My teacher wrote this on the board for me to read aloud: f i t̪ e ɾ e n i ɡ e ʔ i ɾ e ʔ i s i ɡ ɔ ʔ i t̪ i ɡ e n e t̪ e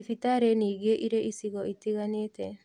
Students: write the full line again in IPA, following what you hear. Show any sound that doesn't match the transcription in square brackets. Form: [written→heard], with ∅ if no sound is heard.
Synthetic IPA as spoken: f i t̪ [e→a] ɾ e n i ɡ e ʔ i ɾ e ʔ i s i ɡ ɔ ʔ i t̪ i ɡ [e→a] n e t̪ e